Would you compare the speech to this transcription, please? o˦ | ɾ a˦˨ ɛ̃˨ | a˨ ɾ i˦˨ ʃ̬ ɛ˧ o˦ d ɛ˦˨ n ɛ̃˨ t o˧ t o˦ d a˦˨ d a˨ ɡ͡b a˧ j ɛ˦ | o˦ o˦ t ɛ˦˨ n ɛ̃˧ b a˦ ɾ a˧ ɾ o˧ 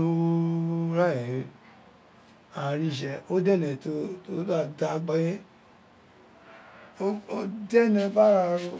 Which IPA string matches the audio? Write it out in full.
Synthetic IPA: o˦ | ɾ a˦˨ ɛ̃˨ | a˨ ɾ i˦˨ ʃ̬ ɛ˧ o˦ d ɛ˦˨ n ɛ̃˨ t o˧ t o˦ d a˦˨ d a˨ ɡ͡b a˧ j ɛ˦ | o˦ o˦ d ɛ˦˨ n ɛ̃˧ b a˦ ɾ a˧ ɾ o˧